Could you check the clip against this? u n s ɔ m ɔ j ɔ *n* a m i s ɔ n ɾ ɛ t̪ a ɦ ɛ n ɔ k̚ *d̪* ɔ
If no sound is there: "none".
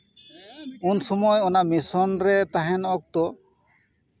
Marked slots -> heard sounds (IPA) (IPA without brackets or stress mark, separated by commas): n, t̪